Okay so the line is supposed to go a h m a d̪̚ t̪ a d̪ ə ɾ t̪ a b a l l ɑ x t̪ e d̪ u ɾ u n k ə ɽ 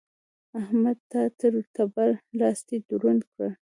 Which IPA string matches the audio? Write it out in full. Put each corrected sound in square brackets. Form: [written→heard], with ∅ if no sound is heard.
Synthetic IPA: a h m a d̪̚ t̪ a [d̪→t̪] ə ɾ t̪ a b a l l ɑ [x→s] t̪ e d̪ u ɾ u n k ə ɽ

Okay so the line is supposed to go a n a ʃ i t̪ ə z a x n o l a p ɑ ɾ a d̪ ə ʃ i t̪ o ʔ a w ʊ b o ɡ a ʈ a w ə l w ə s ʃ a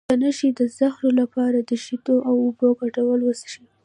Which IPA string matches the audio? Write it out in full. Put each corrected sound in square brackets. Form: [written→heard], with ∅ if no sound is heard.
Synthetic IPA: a n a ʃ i [t̪→d̪] ə z a x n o l a p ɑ ɾ a d̪ ə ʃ i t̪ o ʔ a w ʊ b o ɡ a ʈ a w ə l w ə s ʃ [a→i]

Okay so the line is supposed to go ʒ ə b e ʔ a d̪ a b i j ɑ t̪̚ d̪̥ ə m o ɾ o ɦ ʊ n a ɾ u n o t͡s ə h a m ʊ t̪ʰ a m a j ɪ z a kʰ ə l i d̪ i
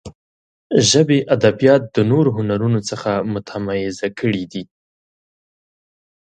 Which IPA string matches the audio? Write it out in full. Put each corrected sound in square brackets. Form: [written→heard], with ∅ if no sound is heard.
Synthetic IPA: ʒ ə b e ʔ a d̪ a b i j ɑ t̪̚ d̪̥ ə [m→n] o ɾ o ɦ ʊ n a ɾ u n o t͡s ə [h→x] a m ʊ t̪ʰ a m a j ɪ z a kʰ ə [l→ɽ] i d̪ i

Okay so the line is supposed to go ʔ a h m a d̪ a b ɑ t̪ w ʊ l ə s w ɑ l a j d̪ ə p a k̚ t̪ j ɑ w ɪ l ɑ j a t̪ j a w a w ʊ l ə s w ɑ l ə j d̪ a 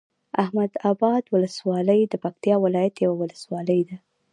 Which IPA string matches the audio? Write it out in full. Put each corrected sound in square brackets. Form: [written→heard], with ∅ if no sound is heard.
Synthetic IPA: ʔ a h m a d̪ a b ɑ [t̪→d̪] w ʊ l ə s w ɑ l [a→ə] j d̪ ə p a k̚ t̪ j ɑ w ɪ l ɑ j a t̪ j a w a w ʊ l ə s w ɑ l ə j d̪ a

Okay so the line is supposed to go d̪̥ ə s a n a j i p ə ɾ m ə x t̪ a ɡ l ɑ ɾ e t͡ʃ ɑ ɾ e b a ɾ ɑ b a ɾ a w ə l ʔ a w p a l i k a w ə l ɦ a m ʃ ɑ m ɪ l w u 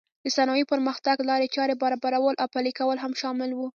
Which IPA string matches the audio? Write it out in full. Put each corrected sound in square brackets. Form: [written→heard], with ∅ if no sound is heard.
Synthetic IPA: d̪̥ ə s a n [a→ɑ] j i p ə ɾ m ə x t̪ a ɡ l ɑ ɾ e t͡ʃ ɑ ɾ e b a ɾ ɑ b a ɾ a w ə l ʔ a w p a l i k a w ə l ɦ a m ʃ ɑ m ɪ l w u

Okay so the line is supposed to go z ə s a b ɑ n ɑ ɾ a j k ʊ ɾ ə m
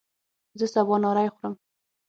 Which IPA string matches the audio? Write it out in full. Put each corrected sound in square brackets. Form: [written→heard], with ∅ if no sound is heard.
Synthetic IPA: z ə s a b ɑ n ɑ ɾ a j [k→x] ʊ ɾ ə m

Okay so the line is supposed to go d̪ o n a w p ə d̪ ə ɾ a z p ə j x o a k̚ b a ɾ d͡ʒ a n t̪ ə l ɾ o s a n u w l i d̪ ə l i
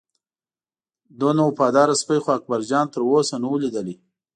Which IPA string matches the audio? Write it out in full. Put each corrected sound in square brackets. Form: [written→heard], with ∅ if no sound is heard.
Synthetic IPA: d̪ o n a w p [ə→ɑ] d̪ [ə→ɑ] ɾ a [z→s] p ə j x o a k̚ b a ɾ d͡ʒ [a→ɑ] n t̪ ə [l→∅] ɾ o s a n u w l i d̪ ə l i

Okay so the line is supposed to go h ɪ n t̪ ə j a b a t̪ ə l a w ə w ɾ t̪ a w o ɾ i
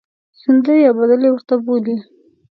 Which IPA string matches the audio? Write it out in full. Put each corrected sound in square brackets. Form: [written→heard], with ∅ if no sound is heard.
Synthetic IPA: [h→s] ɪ n [t̪→d̪] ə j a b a [t̪→d̪] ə l [a→e] w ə [w→∅] ɾ t̪ a [w→b] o [ɾ→l] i

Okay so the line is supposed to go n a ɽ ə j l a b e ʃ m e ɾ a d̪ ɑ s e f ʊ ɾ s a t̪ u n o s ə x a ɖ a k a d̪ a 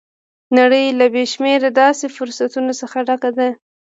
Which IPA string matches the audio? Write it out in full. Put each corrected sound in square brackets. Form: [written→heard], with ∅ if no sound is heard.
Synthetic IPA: n a ɽ ə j l a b e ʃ m e ɾ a d̪ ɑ s e f ʊ ɾ s a t̪ u n o s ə x a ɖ a k a d̪ a

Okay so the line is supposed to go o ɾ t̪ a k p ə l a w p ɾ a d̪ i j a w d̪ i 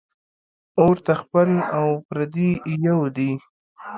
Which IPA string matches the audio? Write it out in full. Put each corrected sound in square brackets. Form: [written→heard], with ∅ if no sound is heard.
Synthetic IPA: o ɾ t̪ a [k→x] p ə l a w p ɾ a d̪ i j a w d̪ i

